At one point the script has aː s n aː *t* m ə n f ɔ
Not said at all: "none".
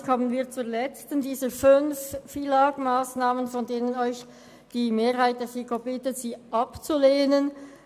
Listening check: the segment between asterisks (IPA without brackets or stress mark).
none